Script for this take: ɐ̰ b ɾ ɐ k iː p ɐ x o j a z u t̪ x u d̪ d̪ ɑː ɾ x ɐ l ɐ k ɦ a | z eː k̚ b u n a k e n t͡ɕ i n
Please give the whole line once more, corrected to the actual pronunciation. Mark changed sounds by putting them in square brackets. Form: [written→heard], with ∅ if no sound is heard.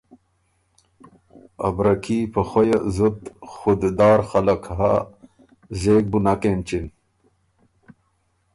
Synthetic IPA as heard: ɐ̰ b ɾ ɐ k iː p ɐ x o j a z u t̪ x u d̪ d̪ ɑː ɾ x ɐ l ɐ k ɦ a | z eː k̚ b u n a k e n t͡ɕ i n